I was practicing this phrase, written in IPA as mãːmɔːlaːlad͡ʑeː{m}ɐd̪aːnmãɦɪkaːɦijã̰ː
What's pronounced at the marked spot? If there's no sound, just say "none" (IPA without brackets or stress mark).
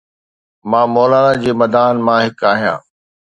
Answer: m